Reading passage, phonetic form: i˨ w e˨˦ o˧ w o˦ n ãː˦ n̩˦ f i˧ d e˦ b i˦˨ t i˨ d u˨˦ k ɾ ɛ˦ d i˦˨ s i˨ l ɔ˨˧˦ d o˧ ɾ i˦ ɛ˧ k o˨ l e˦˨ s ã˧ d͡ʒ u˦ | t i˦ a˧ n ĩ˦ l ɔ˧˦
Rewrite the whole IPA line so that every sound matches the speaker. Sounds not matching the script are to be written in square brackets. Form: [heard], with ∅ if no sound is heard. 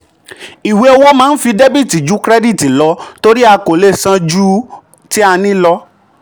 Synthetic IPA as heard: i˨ w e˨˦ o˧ w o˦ [m] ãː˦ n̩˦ f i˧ d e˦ b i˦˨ t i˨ [d͡ʒ] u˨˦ k ɾ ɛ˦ d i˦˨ [t] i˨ l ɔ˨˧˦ [t] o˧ ɾ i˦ [a˧] k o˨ l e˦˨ s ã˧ d͡ʒ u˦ | t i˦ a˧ n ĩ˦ l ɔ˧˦